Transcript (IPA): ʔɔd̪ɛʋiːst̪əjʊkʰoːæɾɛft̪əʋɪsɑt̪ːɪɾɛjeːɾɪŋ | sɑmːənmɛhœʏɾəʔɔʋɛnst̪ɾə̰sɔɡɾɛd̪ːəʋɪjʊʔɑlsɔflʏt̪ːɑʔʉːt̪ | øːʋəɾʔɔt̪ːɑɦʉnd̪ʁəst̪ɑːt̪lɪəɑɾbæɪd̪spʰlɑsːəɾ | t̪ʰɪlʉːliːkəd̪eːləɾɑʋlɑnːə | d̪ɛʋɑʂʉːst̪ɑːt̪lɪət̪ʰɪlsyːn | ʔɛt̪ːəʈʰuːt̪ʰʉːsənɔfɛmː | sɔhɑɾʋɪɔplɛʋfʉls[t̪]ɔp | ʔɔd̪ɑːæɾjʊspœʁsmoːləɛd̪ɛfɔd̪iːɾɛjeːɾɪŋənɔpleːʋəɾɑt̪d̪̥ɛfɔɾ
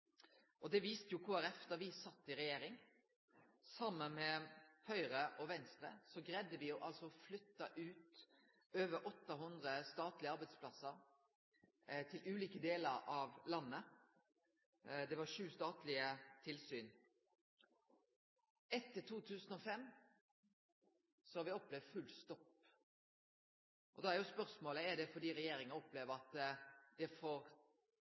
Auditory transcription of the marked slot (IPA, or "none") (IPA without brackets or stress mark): t̪